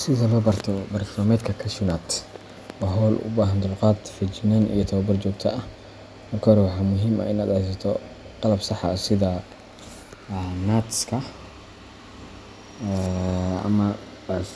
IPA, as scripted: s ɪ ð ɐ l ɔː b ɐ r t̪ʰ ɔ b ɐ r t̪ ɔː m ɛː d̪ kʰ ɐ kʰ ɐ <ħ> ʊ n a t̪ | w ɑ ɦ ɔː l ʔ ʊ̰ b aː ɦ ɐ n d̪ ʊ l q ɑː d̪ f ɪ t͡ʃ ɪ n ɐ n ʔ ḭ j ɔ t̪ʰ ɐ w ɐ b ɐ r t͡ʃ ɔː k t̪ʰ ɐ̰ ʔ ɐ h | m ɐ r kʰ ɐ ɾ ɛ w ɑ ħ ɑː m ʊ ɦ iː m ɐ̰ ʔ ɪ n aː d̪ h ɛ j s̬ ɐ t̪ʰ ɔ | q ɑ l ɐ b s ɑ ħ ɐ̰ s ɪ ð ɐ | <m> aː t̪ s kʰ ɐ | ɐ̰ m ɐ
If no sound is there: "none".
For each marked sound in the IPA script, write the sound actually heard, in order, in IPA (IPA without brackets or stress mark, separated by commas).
ʃ, n